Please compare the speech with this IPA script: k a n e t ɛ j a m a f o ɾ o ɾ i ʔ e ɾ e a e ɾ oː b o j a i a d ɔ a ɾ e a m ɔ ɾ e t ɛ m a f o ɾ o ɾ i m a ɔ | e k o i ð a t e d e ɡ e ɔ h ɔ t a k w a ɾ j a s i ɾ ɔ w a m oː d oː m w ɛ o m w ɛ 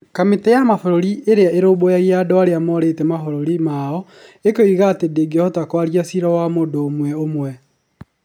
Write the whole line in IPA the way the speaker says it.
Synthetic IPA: k a m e t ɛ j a m a f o ɾ o ɾ i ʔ e ɾ e a e ɾ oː b o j a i a d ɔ a ɾ e a m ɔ ɾ e t ɛ m a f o ɾ o ɾ i m a ɔ | e k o i ɣ a t e d e ɡ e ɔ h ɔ t a k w a ɾ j a s i ɾ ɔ w a m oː d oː m w ɛ o m w ɛ